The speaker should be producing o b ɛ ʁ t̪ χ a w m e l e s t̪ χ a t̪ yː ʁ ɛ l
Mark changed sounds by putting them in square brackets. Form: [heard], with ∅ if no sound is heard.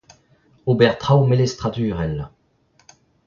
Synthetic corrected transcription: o b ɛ ʁ t̪ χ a w m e l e s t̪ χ a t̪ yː ʁ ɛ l